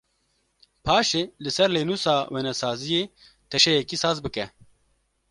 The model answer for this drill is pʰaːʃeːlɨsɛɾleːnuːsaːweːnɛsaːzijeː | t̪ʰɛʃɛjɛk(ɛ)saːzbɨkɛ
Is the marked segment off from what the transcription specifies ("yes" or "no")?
yes